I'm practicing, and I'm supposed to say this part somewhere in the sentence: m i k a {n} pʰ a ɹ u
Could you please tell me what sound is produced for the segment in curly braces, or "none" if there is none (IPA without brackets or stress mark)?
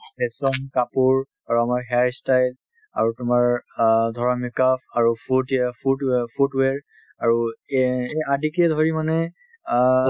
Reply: none